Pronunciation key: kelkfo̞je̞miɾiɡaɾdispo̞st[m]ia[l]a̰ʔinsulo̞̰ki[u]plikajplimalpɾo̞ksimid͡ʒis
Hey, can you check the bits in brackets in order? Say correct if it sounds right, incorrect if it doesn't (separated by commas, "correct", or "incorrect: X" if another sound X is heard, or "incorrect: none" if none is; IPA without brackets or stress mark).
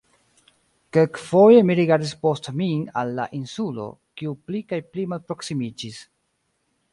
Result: correct, incorrect: lː, correct